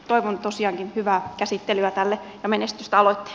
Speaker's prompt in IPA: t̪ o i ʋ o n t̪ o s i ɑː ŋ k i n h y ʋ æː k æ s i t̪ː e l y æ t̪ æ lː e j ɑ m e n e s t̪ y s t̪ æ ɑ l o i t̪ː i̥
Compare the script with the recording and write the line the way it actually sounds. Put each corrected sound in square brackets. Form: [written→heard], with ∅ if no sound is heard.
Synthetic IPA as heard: t̪ o i ʋ o n t̪ o s i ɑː ŋ k i n h y ʋ æː k æ s i t̪ː e l y æ t̪ æ lː e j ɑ m e n e s t̪ y s t̪ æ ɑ l o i t̪ː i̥